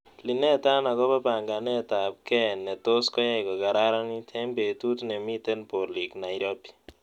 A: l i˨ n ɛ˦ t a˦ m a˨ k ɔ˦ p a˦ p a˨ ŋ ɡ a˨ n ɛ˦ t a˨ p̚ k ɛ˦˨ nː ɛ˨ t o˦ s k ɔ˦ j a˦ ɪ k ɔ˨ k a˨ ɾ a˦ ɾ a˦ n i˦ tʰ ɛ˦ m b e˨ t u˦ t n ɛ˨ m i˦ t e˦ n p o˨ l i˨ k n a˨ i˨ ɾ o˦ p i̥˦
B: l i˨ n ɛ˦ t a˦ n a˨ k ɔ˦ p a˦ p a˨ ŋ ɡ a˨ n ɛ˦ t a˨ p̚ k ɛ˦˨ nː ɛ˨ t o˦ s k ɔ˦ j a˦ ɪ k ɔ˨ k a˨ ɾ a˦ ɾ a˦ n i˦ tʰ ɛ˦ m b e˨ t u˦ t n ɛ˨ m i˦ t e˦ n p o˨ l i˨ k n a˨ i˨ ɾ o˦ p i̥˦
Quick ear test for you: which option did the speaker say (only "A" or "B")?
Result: B